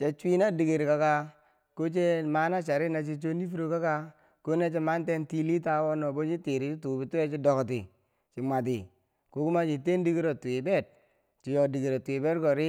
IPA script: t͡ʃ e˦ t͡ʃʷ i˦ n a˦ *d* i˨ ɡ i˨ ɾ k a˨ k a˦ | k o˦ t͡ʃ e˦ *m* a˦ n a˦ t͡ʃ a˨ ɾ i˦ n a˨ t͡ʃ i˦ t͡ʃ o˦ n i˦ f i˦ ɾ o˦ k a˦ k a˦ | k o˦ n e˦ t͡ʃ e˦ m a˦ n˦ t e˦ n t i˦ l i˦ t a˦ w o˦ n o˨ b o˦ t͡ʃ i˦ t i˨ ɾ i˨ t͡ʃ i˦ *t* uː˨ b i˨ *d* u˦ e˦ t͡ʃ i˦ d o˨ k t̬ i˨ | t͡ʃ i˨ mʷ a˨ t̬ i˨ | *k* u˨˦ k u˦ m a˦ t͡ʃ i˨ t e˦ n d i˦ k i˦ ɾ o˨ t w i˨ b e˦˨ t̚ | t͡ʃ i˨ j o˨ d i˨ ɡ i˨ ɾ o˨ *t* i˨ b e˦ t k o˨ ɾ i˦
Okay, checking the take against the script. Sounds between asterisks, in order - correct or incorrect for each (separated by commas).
correct, correct, correct, incorrect, correct, correct